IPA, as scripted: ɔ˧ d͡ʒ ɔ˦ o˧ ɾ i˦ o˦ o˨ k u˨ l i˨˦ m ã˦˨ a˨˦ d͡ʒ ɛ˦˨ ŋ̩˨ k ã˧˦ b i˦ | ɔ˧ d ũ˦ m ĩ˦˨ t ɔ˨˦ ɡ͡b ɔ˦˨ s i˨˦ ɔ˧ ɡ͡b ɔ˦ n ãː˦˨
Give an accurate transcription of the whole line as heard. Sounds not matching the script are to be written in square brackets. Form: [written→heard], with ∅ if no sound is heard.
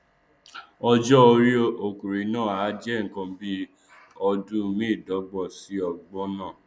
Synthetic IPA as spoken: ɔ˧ d͡ʒ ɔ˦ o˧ ɾ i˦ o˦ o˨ k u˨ [l→ɾ] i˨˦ [m→n] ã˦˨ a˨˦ d͡ʒ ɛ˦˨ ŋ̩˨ k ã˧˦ b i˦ | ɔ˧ d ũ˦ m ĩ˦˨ [t→d] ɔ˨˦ ɡ͡b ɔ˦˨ s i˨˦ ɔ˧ ɡ͡b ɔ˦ n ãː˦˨